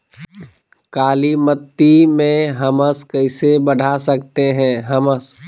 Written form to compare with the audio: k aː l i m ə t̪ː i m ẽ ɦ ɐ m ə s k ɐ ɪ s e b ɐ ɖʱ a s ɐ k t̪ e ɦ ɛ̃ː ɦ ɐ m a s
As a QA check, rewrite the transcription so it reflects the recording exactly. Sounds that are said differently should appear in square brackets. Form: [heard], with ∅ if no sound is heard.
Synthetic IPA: k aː l i m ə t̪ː i m ẽ ɦ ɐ m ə s k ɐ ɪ s e b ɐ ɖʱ a s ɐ k t̪ e ɦ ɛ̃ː ɦ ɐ m [ə] s